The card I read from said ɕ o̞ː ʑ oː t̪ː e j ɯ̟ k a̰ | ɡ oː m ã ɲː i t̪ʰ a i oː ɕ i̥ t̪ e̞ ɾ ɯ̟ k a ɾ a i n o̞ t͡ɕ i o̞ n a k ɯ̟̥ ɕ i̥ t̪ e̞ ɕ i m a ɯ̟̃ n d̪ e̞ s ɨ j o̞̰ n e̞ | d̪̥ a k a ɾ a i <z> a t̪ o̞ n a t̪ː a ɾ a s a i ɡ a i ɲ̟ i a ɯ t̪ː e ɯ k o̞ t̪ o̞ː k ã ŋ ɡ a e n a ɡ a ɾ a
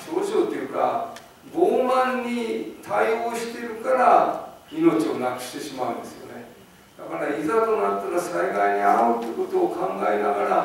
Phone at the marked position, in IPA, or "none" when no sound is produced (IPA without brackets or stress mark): z